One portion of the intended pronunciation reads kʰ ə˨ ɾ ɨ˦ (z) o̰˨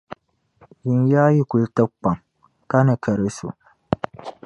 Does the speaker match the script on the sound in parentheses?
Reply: no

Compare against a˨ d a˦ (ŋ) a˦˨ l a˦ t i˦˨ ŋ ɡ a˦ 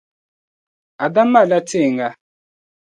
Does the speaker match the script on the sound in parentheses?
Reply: no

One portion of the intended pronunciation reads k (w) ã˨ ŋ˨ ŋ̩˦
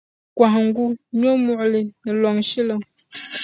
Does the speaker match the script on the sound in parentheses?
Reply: yes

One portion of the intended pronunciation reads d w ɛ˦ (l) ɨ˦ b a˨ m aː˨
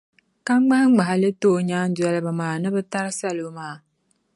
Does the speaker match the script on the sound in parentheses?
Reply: yes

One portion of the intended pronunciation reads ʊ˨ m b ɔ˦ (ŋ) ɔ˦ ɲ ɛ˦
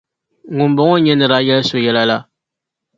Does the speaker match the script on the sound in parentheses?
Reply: yes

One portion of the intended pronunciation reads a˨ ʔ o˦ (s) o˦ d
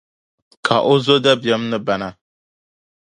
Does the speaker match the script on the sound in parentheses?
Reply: no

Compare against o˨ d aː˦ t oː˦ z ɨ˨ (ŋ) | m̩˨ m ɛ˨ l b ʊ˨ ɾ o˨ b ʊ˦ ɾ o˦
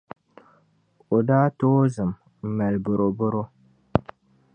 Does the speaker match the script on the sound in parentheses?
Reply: no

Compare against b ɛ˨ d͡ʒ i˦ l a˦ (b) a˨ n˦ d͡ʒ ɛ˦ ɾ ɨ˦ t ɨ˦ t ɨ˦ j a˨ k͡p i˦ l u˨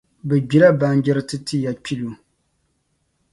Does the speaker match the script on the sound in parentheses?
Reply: yes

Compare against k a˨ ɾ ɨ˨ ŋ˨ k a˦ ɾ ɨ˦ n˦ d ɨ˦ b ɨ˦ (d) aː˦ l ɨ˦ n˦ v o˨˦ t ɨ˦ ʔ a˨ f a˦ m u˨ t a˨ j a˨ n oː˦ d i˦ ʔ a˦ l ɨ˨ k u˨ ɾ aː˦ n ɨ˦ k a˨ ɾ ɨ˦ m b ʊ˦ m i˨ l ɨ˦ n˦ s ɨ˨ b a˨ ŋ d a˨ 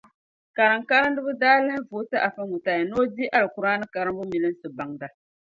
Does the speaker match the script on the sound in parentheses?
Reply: yes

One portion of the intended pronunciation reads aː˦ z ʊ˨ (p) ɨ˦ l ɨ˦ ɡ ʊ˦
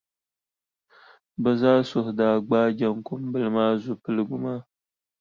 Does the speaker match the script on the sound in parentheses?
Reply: yes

